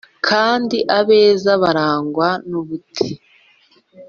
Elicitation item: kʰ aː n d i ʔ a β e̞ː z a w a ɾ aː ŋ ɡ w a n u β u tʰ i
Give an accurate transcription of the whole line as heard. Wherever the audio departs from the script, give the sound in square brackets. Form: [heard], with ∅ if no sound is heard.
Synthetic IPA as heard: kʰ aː n d i ʔ a β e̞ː z a [β] a ɾ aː ŋ ɡ w a n u β u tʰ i